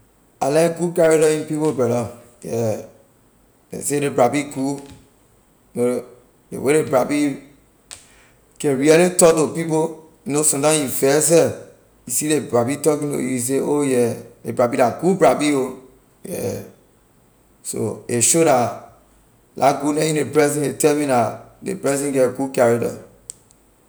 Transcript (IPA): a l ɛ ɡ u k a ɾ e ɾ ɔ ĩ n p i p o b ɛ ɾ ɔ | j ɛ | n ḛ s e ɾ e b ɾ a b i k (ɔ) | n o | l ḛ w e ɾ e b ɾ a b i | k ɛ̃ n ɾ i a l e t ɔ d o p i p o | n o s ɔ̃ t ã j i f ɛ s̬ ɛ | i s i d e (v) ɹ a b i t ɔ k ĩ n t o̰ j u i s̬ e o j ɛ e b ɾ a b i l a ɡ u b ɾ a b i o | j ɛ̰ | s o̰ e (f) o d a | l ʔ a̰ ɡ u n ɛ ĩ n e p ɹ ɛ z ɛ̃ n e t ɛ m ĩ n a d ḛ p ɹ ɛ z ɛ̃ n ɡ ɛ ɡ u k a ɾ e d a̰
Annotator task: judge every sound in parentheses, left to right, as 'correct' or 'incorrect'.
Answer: incorrect, incorrect, incorrect

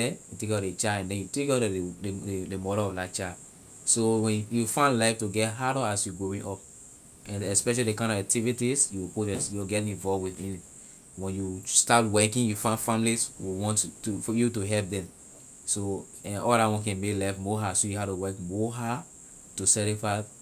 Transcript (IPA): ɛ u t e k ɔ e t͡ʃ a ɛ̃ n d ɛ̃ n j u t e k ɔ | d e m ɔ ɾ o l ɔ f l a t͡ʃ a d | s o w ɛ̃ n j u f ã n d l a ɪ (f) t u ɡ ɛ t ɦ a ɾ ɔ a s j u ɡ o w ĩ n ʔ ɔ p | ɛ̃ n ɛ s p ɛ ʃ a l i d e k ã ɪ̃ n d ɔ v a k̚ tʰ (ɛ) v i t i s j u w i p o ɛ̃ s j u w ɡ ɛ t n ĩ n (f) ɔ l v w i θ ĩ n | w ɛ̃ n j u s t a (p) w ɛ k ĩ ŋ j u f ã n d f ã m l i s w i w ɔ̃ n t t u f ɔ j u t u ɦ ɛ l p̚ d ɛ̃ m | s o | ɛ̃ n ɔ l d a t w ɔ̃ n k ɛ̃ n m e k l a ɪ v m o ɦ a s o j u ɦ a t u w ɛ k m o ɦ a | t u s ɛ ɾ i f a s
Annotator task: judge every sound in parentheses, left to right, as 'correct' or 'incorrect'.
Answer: correct, incorrect, incorrect, incorrect

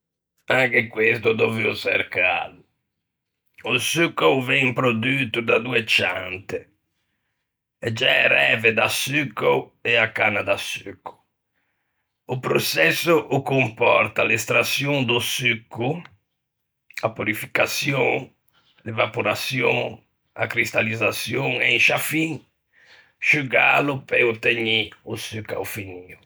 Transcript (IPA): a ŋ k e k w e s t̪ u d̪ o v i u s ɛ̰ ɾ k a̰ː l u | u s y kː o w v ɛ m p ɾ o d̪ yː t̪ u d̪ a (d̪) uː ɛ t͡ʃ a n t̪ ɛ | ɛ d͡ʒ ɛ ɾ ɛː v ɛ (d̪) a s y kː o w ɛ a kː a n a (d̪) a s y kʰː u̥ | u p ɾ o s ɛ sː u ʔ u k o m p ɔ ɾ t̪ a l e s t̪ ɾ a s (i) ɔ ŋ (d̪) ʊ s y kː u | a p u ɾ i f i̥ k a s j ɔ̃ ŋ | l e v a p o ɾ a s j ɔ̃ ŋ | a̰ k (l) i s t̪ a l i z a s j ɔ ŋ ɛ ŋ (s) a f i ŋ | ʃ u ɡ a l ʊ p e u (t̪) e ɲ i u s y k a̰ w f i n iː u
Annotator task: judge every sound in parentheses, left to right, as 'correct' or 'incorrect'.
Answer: correct, correct, correct, incorrect, correct, incorrect, incorrect, correct

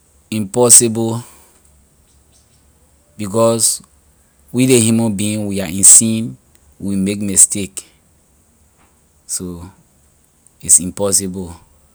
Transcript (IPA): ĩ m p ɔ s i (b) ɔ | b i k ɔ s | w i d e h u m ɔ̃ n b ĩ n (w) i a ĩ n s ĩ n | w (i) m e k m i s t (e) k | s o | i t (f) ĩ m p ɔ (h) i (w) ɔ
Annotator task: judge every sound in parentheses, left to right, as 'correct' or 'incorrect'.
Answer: correct, correct, correct, correct, incorrect, incorrect, incorrect

